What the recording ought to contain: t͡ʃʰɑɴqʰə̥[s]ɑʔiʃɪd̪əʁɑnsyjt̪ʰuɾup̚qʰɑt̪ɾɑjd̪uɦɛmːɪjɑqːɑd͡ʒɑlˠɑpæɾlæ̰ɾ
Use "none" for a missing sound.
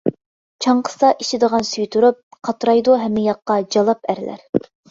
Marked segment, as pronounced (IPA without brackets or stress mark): s